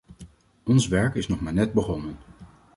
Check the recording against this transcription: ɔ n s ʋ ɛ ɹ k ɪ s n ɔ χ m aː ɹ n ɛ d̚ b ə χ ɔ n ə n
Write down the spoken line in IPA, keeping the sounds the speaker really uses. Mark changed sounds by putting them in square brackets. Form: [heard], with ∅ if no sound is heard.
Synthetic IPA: ɔ n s ʋ ɛ ɹ k ɪ s n ɔ χ m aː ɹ n ɛ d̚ b ə χ ɔ n ə n